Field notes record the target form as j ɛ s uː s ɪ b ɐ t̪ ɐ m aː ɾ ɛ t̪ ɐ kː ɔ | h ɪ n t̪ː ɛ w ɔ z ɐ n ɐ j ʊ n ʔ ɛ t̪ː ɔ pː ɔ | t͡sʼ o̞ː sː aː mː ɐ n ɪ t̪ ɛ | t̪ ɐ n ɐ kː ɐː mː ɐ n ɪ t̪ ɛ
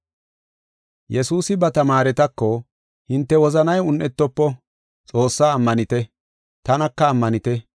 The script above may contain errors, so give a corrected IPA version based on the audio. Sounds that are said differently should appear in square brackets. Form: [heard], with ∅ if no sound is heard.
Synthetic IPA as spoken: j ɛ s uː s ɪ b ɐ t̪ ɐ m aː ɾ ɛ t̪ ɐ kː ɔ | h ɪ n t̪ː ɛ w ɔ z ɐ n ɐ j ʊ n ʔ ɛ t̪ː ɔ pː ɔ | t͡sʼ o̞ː sː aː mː ɐ n ɪ t̪ ɛ | t̪ ɐ n ɐ kː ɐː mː ɐ n ɪ t̪ ɛ